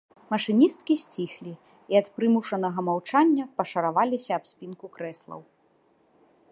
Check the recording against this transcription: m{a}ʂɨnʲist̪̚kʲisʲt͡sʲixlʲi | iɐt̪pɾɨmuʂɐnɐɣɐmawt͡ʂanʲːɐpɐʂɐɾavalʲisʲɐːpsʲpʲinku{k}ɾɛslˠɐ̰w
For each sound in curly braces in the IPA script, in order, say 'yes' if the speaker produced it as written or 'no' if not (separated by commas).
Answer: no, yes